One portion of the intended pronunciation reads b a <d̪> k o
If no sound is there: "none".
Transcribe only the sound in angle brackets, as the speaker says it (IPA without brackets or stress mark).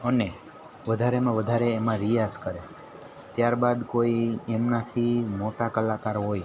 d̪